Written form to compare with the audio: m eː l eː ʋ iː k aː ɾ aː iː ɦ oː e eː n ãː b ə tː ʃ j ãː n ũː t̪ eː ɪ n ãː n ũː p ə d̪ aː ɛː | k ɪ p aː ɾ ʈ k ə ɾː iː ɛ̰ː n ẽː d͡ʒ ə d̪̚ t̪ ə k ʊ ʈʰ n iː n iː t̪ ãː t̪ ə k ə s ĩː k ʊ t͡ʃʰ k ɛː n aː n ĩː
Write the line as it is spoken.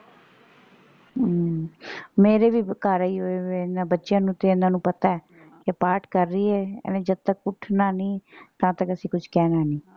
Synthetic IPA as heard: m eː ɾ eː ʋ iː k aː ɾ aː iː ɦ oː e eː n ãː b ə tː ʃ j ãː n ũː t̪ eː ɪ n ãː n ũː p ə t̪ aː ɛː | k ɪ p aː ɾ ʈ k ə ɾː iː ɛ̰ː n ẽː d͡ʒ ə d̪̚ t̪ ə k ʊ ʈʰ n aː n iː t̪ ãː t̪ ə k ə s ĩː k ʊ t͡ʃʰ k ɛː n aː n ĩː

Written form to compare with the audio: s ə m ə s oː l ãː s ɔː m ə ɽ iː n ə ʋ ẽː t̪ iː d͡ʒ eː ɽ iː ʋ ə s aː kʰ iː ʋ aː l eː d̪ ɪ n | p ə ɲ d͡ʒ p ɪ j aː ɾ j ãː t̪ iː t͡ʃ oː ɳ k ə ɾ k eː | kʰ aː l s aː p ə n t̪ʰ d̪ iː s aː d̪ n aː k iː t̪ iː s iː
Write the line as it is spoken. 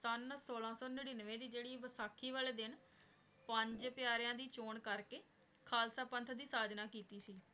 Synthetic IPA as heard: s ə n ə s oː l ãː s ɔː n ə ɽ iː n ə ʋ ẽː d̪ iː d͡ʒ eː ɽ iː ʋ ə s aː kʰ iː ʋ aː l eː d̪ ɪ n | p ə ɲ d͡ʒ p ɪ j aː ɾ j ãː d̪ iː t͡ʃ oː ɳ k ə ɾ k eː | kʰ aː l s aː p ə n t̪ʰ d̪ iː s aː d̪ n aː k iː t̪ iː s iː

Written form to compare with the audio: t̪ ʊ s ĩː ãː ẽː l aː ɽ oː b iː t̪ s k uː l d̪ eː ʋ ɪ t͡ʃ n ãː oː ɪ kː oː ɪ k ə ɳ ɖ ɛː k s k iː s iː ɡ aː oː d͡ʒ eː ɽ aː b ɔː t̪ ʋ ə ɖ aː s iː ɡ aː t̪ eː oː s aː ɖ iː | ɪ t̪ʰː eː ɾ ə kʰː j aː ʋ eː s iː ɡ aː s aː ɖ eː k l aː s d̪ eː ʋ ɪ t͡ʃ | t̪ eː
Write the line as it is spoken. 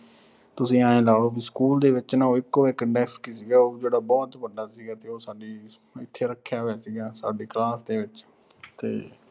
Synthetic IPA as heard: t̪ ʊ s ĩː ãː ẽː l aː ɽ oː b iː s k uː l d̪ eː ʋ ɪ t͡ʃ n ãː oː ɪ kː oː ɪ k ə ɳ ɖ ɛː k s k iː s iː ɡ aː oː d͡ʒ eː ɽ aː b ɔː t̪ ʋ ə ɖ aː s iː ɡ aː t̪ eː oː s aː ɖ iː | ɪ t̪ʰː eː ɾ ə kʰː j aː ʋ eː s iː ɡ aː s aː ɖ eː k l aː s d̪ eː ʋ ɪ t͡ʃ | t̪ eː

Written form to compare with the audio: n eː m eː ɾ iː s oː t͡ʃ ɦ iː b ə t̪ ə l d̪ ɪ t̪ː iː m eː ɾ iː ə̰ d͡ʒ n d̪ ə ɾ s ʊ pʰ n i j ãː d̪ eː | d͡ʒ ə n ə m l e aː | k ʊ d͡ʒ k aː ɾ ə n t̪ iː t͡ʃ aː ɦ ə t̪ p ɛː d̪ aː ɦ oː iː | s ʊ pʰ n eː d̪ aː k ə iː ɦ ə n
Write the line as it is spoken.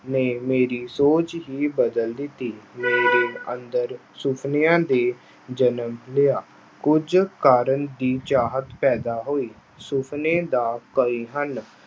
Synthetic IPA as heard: n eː m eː ɾ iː s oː t͡ʃ ɦ iː b ə d̪ ə l d̪ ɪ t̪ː iː m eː ɾ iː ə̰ n d̪ ə ɾ s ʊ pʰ n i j ãː d̪ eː | d͡ʒ ə n ə m l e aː | k ʊ d͡ʒ k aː ɾ ə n d̪ iː t͡ʃ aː ɦ ə t̪ p ɛː d̪ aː ɦ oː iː | s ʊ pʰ n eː d̪ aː k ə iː ɦ ə n

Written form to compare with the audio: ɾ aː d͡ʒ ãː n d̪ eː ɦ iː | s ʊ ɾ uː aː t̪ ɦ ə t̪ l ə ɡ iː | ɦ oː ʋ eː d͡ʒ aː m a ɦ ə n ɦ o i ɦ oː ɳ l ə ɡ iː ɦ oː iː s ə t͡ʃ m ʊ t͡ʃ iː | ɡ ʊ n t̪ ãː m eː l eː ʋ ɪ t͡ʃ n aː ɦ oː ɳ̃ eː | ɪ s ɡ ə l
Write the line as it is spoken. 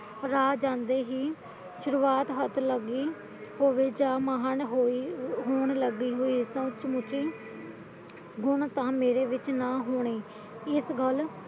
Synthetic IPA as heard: ɾ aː d͡ʒ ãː n d̪ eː ɦ iː | ʃ ʊ ɾ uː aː t̪ ɦ ə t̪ l ə ɡ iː | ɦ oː ʋ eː d͡ʒ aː m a ɦ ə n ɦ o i ɦ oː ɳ l ə ɡ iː ɦ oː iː s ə t͡ʃ m ʊ t͡ʃ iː | ɡ ʊ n t̪ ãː m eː ɾ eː ʋ ɪ t͡ʃ n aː ɦ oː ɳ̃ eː | ɪ s ɡ ə l

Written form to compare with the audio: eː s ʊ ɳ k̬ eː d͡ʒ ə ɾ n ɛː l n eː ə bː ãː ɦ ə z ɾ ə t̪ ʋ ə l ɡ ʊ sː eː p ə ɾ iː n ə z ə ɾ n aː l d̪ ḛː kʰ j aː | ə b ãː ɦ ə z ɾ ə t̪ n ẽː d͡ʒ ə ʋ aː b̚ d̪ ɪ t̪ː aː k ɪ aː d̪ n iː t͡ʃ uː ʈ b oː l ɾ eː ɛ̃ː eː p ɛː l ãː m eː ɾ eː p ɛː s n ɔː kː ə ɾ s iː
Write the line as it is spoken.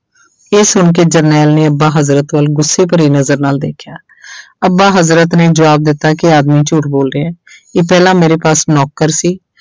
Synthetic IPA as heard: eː s ʊ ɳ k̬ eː d͡ʒ ə ɾ n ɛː l n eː ə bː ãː ɦ ə z ɾ ə t̪ ʋ ə l ɡ ʊ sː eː p ə ɾ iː n ə z ə ɾ n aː l d̪ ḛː kʰ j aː | ə b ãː ɦ ə z ɾ ə t̪ n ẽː d͡ʒ ə ʋ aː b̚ d̪ ɪ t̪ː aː k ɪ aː d̪ m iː t͡ʃ uː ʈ b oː l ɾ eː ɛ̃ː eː p ɛː l ãː m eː ɾ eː p aː s n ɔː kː ə ɾ s iː

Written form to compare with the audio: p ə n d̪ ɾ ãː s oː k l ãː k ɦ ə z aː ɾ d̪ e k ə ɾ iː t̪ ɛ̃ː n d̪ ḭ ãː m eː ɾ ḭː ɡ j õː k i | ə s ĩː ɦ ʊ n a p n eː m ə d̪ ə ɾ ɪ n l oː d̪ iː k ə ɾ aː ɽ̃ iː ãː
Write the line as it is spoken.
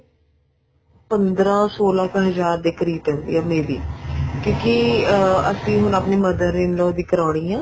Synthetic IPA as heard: p ə n d̪ ɾ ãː s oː l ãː k ɦ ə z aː ɾ d̪ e k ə ɾ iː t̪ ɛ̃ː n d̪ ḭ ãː m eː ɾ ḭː k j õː k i | ə s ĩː ɦ ʊ n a p n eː m ə d̪ ə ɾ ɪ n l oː d̪ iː k ə ɾ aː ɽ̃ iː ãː

